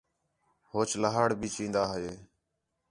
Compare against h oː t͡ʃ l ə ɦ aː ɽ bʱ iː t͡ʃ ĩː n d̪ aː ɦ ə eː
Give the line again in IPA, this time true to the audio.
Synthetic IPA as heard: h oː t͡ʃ l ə ɦ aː ɽ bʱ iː t͡ʃ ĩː n d̪ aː ɦ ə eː